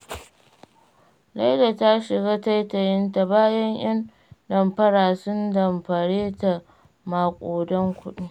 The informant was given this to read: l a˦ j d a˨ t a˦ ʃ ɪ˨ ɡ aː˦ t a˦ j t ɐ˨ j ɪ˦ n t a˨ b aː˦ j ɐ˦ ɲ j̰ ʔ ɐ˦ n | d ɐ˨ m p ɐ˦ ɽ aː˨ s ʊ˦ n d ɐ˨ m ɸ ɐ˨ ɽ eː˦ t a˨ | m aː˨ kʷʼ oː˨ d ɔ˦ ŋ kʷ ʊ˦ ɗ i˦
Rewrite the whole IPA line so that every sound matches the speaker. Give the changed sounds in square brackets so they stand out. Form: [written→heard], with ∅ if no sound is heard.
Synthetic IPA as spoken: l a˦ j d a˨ t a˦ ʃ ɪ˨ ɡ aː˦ t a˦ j t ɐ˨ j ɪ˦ n t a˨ b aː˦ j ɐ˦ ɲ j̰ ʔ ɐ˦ n | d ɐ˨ m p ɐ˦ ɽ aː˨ s ʊ˦ n d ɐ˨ m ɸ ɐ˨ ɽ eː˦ t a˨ | m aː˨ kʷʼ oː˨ d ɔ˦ ŋ kʷ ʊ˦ ɗ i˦